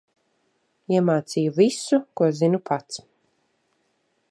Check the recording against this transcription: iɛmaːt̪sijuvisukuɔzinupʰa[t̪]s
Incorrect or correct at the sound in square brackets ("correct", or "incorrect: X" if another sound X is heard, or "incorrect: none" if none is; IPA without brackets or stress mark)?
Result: correct